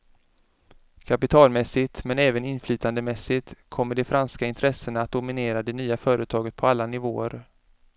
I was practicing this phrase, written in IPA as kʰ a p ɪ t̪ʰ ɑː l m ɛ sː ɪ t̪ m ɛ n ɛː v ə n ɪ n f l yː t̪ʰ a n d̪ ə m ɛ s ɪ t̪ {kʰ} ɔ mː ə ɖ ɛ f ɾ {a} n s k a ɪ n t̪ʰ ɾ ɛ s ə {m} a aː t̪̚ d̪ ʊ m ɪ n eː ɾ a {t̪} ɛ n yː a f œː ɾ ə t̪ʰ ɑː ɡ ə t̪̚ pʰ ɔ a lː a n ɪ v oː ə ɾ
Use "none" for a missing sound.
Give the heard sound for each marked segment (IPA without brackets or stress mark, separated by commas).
kʰ, a, n, d̪